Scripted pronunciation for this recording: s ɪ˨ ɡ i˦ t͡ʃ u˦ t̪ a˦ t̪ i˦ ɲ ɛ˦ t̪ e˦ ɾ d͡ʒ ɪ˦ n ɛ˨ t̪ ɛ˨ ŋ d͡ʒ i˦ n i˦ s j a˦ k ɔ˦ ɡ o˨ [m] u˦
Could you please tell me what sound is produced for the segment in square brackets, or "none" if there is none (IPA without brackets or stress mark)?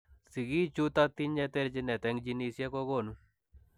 n